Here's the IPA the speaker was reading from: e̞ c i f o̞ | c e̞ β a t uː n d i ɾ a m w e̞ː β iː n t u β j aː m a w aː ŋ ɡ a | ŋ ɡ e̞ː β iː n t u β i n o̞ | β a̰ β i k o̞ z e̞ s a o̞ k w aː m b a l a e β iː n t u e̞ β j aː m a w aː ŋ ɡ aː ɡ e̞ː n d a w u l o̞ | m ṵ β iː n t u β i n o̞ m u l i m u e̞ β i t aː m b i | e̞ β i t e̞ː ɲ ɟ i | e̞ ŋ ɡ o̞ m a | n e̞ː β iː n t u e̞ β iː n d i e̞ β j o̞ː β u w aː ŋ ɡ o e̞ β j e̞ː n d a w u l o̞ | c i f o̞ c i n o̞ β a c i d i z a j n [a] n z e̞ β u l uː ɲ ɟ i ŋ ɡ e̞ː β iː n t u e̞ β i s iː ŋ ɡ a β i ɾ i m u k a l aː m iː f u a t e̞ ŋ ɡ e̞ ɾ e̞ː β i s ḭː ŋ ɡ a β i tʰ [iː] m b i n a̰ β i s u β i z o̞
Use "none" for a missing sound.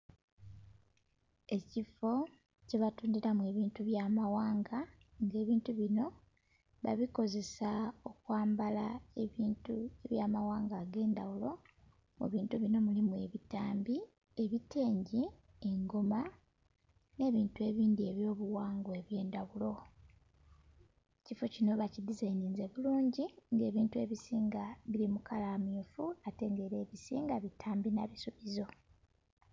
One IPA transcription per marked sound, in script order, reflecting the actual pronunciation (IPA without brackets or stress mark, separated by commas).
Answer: i, aː